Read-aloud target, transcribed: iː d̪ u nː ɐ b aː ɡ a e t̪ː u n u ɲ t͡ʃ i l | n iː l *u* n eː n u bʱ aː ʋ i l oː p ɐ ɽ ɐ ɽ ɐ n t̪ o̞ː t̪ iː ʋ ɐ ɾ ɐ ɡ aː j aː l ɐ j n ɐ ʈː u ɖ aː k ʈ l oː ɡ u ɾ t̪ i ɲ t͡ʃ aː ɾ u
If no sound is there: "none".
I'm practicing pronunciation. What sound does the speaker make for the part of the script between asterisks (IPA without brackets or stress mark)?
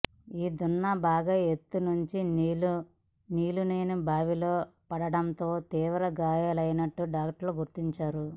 u